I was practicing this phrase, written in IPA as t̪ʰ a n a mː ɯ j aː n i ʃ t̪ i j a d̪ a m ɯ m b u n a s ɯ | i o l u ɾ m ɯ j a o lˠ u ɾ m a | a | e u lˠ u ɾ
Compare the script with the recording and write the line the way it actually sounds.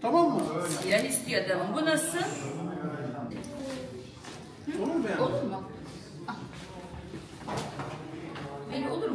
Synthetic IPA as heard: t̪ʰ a m a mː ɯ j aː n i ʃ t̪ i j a d̪ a m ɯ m b u n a s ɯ | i o l u ɾ m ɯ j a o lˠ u ɾ m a | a | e o lˠ u ɾ